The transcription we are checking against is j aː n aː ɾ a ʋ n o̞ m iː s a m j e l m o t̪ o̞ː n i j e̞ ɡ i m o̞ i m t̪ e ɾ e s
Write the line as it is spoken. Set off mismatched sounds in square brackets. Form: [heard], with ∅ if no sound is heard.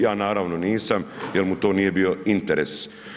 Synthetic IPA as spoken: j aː n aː ɾ a ʋ n o̞ [n] iː s a m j e l m [u] t̪ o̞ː n i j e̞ [b] i [∅] o̞ i [n] t̪ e ɾ e s